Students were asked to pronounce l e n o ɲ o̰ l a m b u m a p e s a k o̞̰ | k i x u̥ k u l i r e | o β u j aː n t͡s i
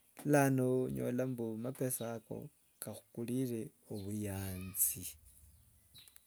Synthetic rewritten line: l a n o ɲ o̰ l a m b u m a p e s a k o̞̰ | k a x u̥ k u l i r e | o β u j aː n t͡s i